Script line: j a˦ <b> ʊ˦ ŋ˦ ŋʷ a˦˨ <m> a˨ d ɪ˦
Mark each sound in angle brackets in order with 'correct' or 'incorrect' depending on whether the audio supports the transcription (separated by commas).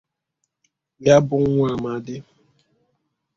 correct, correct